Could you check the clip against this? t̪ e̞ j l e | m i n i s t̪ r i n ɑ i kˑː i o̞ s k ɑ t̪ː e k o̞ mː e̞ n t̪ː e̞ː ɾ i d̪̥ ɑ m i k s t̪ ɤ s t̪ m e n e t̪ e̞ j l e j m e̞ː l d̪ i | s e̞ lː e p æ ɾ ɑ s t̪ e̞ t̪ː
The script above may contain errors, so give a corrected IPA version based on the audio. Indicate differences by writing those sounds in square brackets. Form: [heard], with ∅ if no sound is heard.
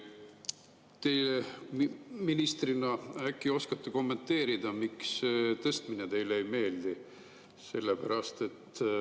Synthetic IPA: t̪ e̞ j l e | m i n i s t̪ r i n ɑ [æ] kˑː i o̞ s k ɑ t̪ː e k o̞ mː e̞ n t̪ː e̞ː ɾ i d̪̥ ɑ m i k s t̪ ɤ s t̪ m [i] n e t̪ e̞ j l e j m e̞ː l d̪ i | s e̞ lː e p æ ɾ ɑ s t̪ e̞ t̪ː